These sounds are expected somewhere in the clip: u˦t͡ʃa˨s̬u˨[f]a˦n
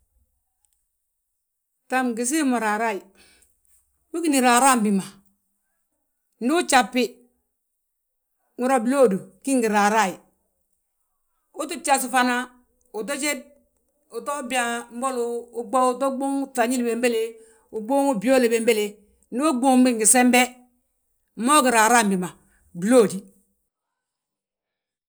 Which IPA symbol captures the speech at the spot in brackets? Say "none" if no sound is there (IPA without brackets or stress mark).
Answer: f